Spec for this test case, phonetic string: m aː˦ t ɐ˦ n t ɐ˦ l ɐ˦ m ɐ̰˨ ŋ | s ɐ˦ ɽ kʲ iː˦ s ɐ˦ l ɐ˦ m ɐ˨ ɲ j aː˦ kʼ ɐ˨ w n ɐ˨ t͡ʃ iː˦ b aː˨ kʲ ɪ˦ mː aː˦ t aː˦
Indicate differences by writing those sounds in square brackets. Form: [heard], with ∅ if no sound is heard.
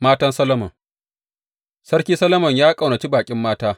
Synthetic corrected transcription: m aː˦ t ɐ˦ n [s] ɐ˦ l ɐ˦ m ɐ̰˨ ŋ | s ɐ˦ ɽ kʲ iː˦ s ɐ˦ l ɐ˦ m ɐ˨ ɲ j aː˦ kʼ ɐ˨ w n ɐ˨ t͡ʃ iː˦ b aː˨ [kʲʼ] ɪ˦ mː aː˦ t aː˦